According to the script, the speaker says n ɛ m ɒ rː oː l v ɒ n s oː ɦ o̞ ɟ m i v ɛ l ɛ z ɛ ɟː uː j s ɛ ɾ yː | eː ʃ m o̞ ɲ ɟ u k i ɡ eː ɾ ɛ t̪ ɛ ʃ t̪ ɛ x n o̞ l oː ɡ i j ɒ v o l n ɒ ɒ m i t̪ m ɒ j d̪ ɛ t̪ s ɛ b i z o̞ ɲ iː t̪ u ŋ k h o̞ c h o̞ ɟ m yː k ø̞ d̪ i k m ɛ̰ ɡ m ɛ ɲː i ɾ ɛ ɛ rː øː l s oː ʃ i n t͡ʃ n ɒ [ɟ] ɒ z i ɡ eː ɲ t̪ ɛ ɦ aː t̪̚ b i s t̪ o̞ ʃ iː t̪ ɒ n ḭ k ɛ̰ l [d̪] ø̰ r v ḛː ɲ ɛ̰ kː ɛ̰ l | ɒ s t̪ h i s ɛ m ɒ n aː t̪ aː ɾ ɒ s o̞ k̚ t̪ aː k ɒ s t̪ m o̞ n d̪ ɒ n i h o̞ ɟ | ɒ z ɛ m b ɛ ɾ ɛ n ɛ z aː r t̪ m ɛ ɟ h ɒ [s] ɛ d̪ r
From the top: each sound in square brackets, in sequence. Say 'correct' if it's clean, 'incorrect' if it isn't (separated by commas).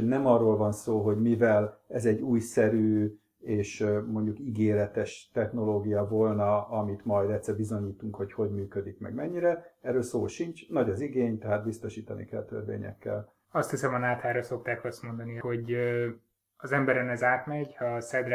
correct, incorrect, correct